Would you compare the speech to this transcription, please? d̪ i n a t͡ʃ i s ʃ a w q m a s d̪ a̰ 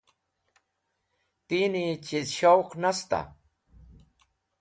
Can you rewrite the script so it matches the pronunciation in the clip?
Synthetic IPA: t̪ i n i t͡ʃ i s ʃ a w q n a s t̪ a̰